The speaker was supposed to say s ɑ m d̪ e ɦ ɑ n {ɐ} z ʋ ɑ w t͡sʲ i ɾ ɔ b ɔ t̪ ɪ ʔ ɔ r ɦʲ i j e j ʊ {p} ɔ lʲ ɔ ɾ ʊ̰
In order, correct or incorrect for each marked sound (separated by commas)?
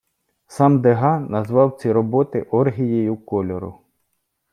correct, incorrect